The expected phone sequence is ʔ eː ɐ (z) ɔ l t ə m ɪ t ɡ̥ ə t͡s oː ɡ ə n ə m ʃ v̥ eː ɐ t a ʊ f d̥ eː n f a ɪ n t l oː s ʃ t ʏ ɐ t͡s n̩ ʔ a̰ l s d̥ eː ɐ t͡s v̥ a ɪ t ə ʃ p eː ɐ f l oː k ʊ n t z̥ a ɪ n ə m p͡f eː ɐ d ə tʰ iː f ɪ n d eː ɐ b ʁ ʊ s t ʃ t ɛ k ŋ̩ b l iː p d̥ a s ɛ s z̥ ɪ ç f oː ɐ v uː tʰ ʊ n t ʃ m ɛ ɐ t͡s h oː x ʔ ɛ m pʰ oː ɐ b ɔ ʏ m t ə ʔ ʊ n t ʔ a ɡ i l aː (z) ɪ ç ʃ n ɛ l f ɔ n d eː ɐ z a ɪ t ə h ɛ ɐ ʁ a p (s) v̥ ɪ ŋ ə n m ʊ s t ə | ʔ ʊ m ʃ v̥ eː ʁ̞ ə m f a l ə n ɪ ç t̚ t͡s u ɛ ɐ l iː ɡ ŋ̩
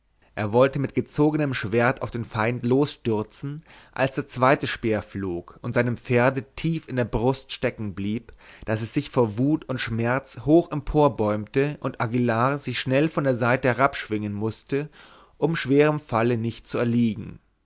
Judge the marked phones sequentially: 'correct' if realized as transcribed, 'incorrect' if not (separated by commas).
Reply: incorrect, correct, incorrect